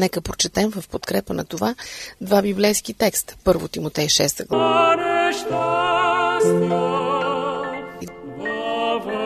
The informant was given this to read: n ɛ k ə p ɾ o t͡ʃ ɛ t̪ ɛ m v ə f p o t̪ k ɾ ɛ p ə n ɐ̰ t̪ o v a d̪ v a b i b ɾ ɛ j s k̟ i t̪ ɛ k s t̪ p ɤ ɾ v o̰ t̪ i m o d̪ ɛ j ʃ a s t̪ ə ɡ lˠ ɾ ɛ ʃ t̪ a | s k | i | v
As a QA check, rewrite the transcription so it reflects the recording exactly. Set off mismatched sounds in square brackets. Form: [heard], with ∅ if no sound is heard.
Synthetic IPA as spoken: n ɛ k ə p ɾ o t͡ʃ ɛ t̪ ɛ m v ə f p o t̪ k ɾ ɛ p ə n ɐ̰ t̪ o v a d̪ v a b i b [l] ɛ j s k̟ i t̪ ɛ k s t̪ p ɤ ɾ v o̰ t̪ i m o [t̪] ɛ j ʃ [ɛ] s t̪ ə ɡ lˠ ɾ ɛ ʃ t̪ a | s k | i | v